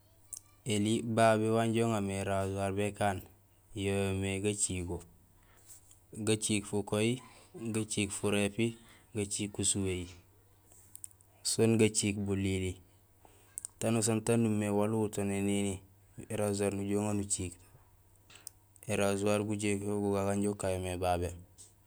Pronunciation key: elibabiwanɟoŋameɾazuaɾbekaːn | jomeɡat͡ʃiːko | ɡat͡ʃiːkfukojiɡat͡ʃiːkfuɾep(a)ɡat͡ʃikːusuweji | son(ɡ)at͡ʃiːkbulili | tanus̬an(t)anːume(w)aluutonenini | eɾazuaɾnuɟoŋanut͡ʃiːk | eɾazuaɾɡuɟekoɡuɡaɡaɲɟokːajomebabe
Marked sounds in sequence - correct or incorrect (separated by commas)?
incorrect, correct, correct, correct